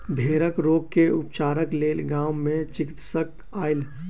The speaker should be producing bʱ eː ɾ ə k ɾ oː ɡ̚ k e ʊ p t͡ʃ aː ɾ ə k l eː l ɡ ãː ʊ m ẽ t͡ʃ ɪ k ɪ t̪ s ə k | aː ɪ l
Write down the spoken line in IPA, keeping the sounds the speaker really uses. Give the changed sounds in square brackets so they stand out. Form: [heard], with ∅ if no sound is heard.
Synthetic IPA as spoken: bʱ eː ɾ ə k ɾ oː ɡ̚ k e ʊ p t͡ʃ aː ɾ ə k l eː l ɡ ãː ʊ m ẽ t͡ʃ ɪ k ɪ t̪ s ə k | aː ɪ l